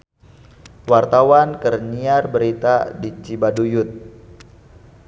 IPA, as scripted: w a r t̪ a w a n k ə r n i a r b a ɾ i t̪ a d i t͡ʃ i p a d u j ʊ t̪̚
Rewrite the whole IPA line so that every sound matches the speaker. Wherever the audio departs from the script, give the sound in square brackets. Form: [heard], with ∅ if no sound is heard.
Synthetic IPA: w a r t̪ a w a n k ə r n i a r b [ə] ɾ i t̪ a d i t͡ʃ i [b] a d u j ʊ t̪̚

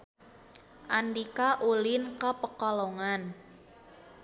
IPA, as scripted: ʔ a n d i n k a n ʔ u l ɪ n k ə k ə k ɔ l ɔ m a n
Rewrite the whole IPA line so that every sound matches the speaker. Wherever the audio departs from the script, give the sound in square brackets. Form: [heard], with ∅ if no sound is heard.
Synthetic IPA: ʔ a n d i [∅] k a [∅] ʔ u l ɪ n k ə [p] ə k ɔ l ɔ [ŋ] a n

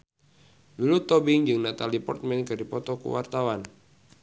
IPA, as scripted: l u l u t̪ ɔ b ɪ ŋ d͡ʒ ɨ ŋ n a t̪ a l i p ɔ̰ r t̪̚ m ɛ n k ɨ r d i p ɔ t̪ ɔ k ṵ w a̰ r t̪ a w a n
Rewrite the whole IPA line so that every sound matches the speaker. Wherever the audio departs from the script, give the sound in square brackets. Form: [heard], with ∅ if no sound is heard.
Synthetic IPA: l u l u t̪ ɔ b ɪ ŋ d͡ʒ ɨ ŋ n a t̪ a l i p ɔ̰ r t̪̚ m ɛ n k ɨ r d i p ɔ t̪ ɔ k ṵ w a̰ r t̪ a w a n

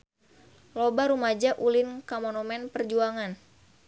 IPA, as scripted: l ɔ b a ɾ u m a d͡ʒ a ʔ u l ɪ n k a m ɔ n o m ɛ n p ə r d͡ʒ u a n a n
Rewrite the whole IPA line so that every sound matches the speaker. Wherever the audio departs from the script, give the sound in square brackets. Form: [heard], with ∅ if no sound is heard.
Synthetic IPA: l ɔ b a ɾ u m a d͡ʒ a ʔ u l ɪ n k a m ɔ n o m ɛ n p ə r d͡ʒ u a [ŋ] a n

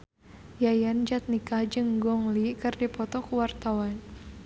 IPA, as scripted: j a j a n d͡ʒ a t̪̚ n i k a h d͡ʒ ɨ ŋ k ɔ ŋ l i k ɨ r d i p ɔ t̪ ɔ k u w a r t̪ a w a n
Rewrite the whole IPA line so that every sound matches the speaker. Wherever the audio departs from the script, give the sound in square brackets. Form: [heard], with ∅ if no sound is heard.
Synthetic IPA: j a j a n d͡ʒ a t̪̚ n i k a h d͡ʒ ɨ ŋ [ɡ] ɔ ŋ l i k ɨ r d i p ɔ t̪ ɔ k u w a r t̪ a w a n

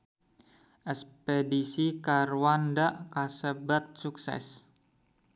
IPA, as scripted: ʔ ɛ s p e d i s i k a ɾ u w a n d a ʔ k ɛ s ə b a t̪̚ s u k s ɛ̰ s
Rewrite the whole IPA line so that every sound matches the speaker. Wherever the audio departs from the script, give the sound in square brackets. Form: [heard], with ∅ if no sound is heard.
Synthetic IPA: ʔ ɛ s p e d i s i k a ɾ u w a n d a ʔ k [a] s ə b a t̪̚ s u k s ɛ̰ s

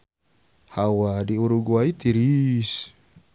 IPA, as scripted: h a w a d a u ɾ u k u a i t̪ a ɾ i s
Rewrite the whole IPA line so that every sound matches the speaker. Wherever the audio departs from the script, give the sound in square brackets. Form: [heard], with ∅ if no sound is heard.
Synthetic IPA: h a w a d [i] u ɾ u [ɡ] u a i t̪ [i] ɾ i s

